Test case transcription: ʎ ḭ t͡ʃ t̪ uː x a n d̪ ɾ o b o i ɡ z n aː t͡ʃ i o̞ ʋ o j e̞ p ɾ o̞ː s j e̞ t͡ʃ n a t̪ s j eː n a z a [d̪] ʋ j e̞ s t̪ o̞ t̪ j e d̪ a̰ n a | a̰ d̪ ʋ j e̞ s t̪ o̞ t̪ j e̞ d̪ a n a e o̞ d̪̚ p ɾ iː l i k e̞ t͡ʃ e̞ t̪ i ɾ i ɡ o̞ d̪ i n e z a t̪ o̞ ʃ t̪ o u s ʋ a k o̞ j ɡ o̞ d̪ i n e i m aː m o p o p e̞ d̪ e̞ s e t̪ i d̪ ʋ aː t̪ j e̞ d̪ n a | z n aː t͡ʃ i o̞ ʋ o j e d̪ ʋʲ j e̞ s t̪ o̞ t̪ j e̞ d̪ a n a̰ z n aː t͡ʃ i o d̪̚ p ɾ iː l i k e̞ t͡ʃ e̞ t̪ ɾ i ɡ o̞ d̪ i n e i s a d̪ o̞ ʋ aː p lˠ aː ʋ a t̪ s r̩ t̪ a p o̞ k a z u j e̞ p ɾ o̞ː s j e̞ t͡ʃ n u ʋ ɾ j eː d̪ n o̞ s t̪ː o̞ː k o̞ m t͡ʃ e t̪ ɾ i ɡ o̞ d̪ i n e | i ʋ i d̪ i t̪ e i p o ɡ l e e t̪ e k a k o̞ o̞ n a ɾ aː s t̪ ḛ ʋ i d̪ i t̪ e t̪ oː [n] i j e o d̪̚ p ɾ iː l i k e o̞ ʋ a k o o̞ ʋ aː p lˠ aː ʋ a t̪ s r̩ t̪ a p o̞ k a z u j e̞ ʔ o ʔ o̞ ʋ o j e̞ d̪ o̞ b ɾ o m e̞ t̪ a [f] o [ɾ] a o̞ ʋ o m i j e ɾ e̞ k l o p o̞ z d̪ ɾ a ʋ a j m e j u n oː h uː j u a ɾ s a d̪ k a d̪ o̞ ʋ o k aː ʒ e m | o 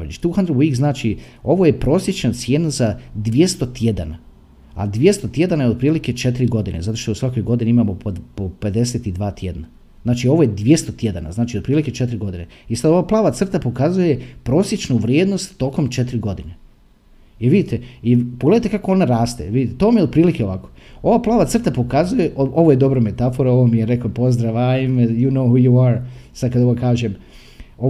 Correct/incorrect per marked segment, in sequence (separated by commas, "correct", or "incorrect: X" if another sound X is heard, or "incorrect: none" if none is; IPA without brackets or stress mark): correct, incorrect: m, correct, correct